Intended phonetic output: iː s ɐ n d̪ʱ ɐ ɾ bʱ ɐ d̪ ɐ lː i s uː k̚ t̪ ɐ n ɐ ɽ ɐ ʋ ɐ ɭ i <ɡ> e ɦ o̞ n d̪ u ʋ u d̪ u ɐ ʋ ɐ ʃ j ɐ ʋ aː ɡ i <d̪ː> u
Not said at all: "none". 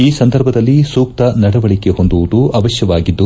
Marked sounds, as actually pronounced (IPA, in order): k, d̪ː

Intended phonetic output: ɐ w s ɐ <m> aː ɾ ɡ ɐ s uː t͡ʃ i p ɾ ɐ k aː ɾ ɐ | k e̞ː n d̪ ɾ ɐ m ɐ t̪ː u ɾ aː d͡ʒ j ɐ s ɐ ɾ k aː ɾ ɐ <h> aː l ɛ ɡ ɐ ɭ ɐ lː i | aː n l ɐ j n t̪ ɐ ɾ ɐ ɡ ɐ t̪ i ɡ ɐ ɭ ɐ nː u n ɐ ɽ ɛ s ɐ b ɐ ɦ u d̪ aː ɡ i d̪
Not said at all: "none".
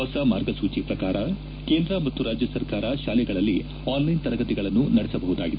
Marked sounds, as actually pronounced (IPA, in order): m, ʃ

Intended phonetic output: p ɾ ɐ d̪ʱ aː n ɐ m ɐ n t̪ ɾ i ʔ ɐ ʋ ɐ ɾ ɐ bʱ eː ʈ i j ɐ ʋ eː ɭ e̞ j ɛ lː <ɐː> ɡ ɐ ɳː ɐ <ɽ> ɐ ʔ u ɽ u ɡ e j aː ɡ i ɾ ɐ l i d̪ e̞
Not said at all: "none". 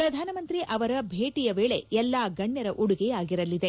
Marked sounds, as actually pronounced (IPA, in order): aː, ɾ

